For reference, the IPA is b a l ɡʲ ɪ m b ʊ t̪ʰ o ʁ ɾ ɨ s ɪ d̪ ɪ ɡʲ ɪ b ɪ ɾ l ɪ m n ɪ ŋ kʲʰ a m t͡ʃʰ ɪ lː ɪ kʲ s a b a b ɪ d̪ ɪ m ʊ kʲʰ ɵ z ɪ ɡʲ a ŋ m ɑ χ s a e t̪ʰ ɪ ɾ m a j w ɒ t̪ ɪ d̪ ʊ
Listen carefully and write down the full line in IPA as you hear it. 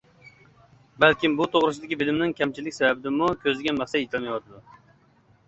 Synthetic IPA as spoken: b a l kʲ ɪ m b ʊ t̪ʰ o ʁ ɾ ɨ s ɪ d̪ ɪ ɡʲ ɪ b ɪ l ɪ m n ɪ ŋ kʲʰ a m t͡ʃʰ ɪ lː ɪ kʲ s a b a b ɪ d̪ ɪ m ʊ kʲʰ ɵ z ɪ ɡʲ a n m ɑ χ s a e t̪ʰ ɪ l m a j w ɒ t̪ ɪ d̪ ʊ